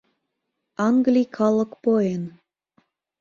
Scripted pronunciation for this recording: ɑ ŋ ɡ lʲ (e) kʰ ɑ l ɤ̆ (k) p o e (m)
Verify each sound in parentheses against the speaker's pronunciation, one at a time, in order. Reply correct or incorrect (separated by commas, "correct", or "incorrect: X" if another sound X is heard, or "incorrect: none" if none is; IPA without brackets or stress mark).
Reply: incorrect: i, correct, incorrect: n